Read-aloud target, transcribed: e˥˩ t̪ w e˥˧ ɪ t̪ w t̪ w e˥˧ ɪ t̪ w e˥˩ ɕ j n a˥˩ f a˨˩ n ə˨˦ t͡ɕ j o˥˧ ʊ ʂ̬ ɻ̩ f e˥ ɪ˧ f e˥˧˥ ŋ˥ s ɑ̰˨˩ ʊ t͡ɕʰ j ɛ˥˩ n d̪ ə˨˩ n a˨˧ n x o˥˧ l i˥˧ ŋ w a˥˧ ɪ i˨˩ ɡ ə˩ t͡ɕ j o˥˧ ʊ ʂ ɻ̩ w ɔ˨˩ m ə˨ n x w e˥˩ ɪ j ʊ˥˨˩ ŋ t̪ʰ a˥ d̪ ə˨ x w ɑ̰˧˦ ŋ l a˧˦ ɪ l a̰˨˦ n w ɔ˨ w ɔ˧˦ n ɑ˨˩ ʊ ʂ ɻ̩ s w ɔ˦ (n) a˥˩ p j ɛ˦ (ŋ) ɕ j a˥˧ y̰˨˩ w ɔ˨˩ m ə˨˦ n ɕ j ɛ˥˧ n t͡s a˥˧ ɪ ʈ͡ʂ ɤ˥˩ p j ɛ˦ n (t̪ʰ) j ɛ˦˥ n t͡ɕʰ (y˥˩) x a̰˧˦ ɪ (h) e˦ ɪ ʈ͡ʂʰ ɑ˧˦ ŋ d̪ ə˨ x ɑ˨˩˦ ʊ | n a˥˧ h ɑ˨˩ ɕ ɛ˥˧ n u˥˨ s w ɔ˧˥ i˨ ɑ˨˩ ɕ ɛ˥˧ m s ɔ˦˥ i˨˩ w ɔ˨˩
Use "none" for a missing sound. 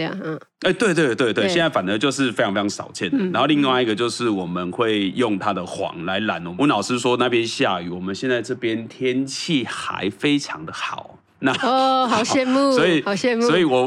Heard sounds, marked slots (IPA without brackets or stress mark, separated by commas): n, n, t̪ʰ, i˥˩, f